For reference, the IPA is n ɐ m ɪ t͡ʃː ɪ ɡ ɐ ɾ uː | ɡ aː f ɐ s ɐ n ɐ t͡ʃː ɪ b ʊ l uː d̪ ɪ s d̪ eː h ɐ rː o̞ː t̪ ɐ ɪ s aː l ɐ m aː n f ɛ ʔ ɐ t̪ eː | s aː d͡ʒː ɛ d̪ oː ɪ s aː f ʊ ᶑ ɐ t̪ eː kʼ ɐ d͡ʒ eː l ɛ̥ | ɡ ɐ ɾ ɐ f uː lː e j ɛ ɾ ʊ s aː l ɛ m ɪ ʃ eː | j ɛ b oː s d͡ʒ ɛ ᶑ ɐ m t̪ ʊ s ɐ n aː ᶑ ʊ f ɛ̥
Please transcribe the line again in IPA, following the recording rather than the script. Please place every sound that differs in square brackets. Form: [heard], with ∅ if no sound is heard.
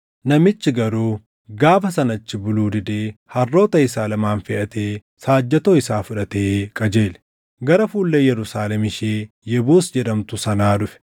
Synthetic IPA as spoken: n ɐ m ɪ t͡ʃː ɪ ɡ ɐ ɾ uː | ɡ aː f ɐ s ɐ n ɐ t͡ʃː ɪ b ʊ l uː d̪ ɪ [∅] d̪ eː h ɐ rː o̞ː t̪ ɐ ɪ s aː l ɐ m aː n f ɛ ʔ ɐ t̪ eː | s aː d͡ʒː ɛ [t̪] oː ɪ s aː f ʊ ᶑ ɐ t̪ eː kʼ ɐ d͡ʒ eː l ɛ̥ | ɡ ɐ ɾ ɐ f uː lː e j ɛ ɾ ʊ s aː l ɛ m ɪ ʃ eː | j ɛ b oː s d͡ʒ ɛ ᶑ ɐ m t̪ ʊ s ɐ n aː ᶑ ʊ f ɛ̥